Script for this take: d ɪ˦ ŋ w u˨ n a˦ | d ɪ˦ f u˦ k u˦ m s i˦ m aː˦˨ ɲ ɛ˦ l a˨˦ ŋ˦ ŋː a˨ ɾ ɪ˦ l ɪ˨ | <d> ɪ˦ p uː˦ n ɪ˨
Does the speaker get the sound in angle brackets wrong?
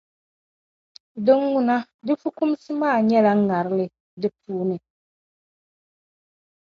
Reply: no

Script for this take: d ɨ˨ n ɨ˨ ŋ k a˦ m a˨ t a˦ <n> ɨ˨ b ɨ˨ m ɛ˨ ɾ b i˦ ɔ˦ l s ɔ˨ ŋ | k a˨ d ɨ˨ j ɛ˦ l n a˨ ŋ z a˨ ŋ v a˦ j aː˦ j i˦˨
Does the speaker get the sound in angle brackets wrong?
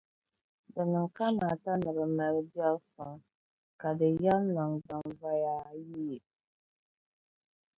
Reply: no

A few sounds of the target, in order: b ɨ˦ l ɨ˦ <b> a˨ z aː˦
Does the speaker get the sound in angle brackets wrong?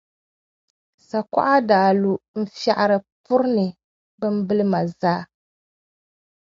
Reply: yes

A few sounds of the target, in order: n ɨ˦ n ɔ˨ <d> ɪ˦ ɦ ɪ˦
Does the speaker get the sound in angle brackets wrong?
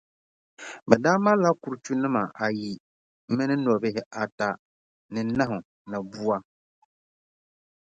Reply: yes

